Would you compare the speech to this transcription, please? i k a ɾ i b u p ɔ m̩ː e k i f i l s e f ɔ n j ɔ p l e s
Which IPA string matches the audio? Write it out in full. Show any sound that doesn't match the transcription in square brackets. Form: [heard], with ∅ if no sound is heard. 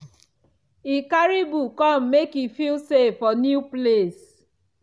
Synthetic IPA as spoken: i k a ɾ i b u [k] ɔ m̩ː e k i f i l s e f ɔ n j [u] p l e s